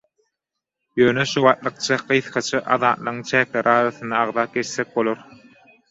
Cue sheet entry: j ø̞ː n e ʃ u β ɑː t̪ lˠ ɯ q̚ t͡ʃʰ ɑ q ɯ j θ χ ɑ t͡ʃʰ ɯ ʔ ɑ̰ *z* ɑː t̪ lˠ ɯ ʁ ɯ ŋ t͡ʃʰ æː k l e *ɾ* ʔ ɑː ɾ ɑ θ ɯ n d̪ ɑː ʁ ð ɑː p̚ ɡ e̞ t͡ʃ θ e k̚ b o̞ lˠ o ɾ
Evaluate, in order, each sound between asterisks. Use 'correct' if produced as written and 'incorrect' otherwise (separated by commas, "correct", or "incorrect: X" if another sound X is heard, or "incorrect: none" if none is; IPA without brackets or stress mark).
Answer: incorrect: ð, correct